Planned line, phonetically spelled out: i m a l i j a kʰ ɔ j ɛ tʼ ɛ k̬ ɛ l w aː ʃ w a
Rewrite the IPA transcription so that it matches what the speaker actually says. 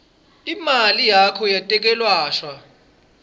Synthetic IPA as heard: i m a l i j a kʰ ɔ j a tʼ ɛ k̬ ɛ l w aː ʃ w a